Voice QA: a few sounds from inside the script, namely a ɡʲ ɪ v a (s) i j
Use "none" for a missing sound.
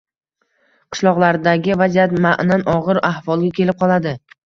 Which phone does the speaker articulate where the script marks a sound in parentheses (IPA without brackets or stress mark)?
z